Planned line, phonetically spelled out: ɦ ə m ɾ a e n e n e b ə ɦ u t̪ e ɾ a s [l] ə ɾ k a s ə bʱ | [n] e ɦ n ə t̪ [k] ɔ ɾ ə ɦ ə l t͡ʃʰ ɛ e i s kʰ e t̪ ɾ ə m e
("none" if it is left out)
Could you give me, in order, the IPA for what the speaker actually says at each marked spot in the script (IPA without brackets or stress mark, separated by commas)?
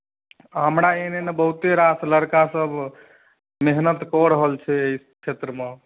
l, m, k